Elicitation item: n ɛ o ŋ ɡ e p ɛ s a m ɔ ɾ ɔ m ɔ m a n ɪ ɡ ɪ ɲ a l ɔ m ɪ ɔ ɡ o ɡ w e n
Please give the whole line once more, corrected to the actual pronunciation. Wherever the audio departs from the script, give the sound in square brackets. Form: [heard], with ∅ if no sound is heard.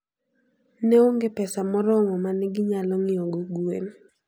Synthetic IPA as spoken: n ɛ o ŋ ɡ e p ɛ s a m ɔ ɾ ɔ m ɔ m a n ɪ ɡ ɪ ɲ a l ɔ [ŋ] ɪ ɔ ɡ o ɡ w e n